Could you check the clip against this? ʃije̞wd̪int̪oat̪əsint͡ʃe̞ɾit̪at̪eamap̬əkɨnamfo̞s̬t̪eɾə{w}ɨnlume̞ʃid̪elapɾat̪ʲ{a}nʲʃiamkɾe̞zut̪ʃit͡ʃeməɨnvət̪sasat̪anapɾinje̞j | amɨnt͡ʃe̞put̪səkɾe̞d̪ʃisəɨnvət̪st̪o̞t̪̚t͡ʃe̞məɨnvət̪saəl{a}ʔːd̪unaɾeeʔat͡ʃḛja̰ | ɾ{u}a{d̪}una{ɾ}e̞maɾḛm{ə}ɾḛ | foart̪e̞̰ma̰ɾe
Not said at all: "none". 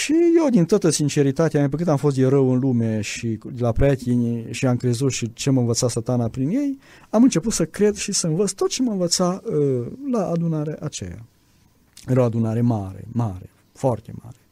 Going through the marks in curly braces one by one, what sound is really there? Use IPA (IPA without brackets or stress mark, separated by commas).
w, i, a, o, d̪, ɾ, a